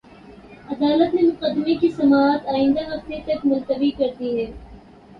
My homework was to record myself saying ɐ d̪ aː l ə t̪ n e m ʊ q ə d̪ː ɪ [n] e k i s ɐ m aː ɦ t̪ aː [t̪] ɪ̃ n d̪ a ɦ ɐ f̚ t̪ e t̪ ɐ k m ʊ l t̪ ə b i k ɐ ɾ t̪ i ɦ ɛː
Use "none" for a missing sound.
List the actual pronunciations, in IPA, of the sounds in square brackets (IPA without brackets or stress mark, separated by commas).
m, none